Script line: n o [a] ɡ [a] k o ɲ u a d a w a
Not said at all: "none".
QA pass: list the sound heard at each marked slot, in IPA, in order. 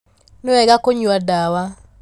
ɛ, a

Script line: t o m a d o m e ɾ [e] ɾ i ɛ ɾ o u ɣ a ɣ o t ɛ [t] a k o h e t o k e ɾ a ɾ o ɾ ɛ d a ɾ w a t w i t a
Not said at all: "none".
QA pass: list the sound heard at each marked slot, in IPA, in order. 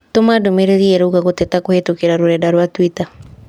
e, t

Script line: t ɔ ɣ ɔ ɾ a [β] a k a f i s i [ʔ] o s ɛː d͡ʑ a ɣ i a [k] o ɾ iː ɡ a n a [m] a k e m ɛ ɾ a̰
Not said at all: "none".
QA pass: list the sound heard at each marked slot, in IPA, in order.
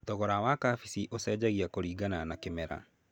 w, ʔ, k, n

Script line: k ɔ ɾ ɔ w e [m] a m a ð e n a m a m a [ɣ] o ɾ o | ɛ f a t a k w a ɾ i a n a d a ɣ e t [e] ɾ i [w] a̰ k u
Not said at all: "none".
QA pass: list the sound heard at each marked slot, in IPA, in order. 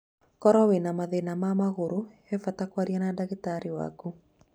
n, ɣ, a, w

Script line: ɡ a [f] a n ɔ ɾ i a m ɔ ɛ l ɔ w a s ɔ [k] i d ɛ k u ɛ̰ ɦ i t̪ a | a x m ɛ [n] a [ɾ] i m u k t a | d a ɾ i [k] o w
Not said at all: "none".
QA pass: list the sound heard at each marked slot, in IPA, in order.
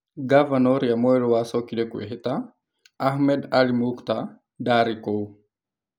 v, k, d, l, k

